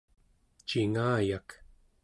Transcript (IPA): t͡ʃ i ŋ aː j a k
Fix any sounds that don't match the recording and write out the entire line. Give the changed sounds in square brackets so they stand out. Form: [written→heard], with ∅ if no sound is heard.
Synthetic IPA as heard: t͡ʃ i ŋ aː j a k